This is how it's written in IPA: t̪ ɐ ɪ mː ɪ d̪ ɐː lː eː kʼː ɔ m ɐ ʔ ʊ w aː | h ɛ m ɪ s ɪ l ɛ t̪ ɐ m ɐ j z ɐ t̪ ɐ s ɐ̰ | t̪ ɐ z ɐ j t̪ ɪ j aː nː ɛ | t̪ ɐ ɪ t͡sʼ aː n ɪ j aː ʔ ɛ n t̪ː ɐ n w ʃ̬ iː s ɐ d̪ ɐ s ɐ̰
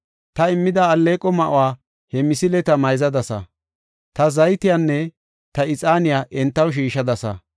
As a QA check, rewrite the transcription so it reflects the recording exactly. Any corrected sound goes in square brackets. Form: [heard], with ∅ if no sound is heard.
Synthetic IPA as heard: t̪ ɐ ɪ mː ɪ d̪ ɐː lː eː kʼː ɔ m ɐ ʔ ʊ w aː | h ɛ m ɪ s ɪ l ɛ t̪ ɐ m ɐ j z ɐ [d̪] ɐ s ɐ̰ | t̪ ɐ z ɐ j t̪ ɪ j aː nː ɛ | t̪ ɐ ɪ t͡sʼ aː n ɪ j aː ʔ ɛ n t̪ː ɐ [∅] w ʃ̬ iː [ʃ] ɐ d̪ ɐ s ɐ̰